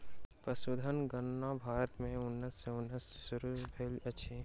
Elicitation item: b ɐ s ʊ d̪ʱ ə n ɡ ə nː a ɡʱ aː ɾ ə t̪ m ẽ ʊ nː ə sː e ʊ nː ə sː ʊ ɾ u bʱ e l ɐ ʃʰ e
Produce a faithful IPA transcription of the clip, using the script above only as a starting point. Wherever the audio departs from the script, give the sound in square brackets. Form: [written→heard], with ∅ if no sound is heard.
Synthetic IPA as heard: [b→p] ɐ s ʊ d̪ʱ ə n ɡ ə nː a [ɡʱ→bʱ] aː ɾ ə t̪ m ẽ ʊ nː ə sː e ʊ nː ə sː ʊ ɾ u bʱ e l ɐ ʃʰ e

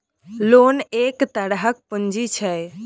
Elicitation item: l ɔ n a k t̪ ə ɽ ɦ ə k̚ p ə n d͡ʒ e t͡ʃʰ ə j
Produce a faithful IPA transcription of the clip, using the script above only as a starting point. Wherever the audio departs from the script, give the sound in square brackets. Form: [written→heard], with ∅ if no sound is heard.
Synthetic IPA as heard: l [ɔ→o] n [a→e] k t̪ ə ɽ ɦ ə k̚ p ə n d͡ʒ [e→i] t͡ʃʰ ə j

